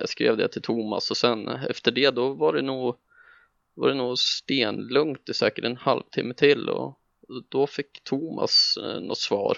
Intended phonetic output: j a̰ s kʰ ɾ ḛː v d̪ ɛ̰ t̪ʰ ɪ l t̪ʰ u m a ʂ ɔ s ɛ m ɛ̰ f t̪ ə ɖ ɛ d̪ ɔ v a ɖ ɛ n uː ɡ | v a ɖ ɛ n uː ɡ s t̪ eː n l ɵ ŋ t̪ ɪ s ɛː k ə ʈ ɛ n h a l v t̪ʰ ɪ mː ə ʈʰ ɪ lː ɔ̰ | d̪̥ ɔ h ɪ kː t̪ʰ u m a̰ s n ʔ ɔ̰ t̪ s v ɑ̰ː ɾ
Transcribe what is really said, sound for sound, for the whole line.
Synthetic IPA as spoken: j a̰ s k ɾ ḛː v d̪ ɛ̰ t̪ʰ ɪ l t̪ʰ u m a s ɔ s ɛ n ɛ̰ f t̪ ə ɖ ɛ d̪ ɔ v a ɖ ɛ n uː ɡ | v a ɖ ɛ n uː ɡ s t̪ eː n l ɵ ŋ t̪ ɪ s ɛː k ə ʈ ɛ n h a l v t̪ʰ ɪ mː ə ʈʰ ɪ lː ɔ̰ | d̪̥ ɔ f ɪ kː t̪ʰ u m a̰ s n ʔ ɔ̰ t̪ s v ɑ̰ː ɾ